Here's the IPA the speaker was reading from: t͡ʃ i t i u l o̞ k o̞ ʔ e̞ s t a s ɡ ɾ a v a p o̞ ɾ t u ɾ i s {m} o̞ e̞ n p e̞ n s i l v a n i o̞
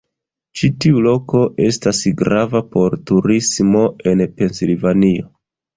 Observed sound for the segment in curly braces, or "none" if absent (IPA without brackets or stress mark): m